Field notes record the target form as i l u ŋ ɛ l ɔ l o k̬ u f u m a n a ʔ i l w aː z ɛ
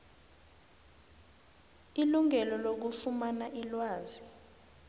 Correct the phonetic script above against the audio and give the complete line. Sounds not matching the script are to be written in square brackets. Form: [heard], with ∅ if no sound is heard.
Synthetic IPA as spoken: i l u ŋ ɛ l ɔ l o k̬ u f u m a n a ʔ i l w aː z [i]